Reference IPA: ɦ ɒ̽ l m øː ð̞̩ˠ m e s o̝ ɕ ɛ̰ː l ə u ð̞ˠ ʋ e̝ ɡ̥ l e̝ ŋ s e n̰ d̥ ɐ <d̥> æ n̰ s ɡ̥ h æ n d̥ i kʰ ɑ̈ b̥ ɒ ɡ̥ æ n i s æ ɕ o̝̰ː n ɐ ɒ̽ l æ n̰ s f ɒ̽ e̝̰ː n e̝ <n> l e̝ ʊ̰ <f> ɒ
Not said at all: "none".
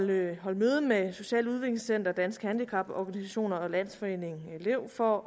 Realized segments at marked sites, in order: d̥, ŋ, f

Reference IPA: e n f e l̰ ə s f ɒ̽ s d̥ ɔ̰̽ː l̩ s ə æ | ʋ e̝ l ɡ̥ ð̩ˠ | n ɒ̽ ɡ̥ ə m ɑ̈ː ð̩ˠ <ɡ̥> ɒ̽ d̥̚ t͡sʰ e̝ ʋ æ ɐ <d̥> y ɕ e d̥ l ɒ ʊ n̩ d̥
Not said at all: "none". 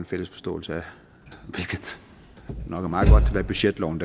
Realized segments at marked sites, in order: ɡ̥, b̥

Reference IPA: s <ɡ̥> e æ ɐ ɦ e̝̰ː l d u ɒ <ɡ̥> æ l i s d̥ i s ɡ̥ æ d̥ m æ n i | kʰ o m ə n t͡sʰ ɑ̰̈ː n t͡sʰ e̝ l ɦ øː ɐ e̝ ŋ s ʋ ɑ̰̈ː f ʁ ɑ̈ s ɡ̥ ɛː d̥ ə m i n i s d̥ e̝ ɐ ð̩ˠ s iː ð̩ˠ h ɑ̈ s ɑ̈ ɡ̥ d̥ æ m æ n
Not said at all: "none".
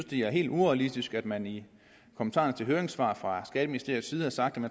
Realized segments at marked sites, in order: d̥, none

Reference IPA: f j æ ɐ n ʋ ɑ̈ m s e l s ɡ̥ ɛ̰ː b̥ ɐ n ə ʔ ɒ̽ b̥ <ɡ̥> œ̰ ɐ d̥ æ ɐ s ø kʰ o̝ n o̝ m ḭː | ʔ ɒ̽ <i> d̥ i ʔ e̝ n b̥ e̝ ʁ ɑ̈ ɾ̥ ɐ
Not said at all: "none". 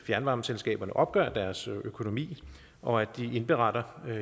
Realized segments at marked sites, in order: ɡ̥, æ

